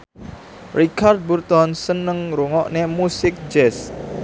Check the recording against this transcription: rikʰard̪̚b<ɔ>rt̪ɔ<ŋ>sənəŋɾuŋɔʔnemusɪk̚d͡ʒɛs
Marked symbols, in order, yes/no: no, no

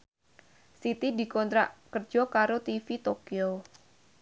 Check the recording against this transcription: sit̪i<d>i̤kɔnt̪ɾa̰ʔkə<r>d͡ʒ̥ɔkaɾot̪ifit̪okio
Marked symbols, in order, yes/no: yes, yes

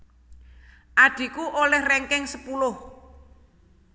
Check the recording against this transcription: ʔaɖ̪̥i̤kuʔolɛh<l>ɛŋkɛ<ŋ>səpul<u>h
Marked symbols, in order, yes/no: no, yes, no

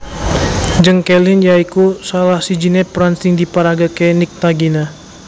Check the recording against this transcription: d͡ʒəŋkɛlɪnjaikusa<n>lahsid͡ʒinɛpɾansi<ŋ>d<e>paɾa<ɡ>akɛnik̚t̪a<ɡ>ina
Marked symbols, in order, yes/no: no, yes, no, yes, yes

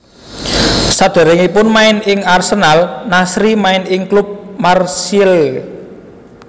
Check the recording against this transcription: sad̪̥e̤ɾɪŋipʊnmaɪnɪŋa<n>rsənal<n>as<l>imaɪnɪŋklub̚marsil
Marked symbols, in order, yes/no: no, yes, no

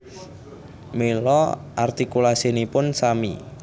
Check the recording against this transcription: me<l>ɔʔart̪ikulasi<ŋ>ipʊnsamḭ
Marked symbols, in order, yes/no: yes, no

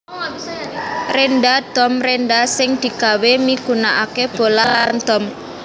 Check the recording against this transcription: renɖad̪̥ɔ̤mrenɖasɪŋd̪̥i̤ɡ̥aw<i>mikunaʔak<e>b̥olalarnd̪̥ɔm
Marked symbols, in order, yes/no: no, yes

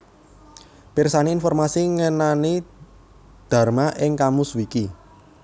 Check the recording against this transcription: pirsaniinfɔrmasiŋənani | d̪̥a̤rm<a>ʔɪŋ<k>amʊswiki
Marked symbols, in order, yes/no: yes, yes

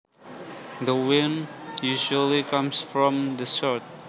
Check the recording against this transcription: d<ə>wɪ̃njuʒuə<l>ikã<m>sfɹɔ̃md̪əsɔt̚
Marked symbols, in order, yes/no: yes, yes, yes

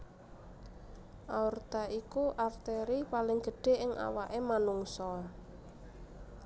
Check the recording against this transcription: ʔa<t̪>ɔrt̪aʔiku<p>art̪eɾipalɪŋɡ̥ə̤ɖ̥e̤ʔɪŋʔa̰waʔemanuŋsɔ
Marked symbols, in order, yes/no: no, no

